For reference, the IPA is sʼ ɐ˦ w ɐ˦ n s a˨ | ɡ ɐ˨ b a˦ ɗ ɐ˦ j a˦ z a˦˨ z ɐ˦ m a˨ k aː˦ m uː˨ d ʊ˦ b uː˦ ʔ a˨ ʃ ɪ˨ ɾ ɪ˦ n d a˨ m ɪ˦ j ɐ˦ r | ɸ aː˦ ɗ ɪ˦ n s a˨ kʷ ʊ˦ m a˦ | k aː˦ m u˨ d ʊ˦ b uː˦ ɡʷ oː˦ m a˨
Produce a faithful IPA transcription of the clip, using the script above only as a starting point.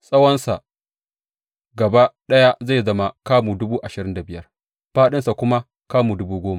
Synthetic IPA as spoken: sʼ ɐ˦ w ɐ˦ n s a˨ | ɡ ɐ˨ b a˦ ɗ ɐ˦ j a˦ z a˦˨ z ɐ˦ m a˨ k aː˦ m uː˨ d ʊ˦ b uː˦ ʔ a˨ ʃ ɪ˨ ɾ ɪ˦ n d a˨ b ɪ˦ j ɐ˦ r | ɸ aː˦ ɗ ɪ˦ n s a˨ kʷ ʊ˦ m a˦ | k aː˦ m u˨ d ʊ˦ b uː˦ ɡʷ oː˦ m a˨